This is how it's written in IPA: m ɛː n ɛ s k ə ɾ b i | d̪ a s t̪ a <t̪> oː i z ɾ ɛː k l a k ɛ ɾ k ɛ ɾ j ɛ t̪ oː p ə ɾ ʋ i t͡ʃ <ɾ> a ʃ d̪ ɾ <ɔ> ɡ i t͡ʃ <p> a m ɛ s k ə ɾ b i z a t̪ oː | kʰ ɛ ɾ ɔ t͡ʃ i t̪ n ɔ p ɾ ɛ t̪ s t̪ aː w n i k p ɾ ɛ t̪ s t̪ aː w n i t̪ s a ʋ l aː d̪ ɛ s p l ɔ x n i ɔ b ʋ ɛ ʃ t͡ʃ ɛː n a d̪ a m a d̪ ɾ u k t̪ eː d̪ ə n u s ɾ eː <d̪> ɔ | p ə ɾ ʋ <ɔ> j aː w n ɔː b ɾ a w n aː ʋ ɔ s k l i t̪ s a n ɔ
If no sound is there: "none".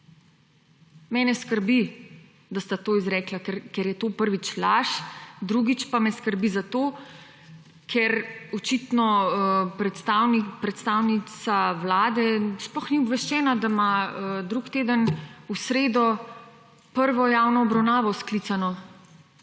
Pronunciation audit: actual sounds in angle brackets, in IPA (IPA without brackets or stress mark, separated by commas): t̪, l, u, p, d̪, ɔ